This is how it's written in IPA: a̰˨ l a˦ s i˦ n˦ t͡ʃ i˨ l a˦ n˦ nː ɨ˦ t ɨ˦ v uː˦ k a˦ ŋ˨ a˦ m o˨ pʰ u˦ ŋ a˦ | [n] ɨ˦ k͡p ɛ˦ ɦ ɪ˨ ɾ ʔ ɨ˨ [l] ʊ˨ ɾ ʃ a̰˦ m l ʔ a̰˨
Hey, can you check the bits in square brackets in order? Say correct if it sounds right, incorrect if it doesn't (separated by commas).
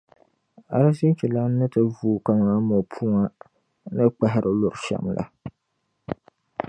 correct, correct